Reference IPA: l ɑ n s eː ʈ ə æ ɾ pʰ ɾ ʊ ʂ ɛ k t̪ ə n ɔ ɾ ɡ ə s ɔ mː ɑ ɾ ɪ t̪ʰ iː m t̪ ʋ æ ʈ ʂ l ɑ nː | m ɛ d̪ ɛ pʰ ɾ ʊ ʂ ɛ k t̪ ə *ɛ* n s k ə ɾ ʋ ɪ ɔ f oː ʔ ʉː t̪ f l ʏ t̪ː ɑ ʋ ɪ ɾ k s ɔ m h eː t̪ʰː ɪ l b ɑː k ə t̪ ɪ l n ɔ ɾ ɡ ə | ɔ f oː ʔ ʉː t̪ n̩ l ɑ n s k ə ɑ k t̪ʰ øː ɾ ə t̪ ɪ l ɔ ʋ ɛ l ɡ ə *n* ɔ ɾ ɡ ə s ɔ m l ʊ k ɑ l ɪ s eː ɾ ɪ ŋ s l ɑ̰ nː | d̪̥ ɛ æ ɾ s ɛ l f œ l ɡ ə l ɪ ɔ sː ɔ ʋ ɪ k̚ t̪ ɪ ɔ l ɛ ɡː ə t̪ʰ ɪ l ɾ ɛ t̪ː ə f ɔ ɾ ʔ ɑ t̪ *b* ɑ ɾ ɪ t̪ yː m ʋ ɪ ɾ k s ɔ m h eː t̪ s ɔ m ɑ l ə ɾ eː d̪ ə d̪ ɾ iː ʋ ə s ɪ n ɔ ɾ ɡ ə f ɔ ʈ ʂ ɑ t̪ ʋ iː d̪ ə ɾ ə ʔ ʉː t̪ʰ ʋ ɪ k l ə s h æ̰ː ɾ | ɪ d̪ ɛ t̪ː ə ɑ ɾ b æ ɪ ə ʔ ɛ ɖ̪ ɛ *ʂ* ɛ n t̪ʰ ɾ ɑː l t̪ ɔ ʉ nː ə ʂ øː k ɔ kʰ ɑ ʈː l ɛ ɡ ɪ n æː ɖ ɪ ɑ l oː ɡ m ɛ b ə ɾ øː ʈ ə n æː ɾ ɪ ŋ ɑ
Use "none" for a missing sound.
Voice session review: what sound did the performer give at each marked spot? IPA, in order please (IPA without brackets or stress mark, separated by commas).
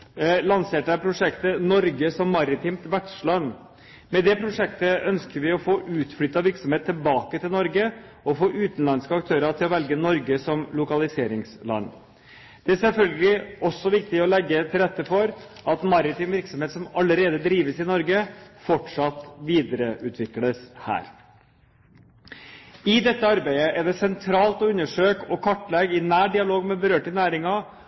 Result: œ, n, m, s